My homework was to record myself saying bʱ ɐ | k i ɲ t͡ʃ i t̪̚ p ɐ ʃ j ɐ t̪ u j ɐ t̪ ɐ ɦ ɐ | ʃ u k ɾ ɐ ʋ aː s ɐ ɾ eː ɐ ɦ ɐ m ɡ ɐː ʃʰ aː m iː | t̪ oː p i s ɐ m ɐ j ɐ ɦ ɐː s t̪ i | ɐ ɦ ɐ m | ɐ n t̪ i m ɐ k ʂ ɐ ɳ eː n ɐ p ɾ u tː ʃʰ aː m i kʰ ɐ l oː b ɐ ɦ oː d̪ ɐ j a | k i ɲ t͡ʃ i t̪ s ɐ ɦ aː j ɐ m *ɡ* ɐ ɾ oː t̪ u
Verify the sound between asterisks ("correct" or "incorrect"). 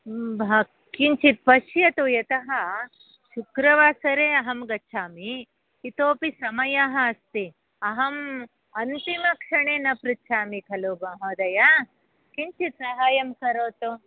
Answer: incorrect